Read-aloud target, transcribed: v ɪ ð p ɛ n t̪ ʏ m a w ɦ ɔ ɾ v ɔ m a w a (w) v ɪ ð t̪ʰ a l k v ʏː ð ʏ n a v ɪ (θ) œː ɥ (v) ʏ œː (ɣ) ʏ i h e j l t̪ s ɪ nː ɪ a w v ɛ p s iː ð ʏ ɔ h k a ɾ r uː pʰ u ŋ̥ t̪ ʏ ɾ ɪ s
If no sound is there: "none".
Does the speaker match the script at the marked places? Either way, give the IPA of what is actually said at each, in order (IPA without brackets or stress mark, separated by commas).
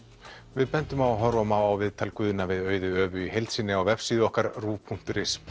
w, ð, ð, v